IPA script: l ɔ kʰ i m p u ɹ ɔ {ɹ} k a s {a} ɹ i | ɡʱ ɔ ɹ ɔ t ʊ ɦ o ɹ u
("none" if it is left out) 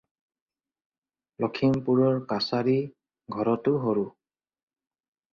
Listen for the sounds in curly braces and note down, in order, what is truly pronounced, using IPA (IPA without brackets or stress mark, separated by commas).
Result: ɹ, a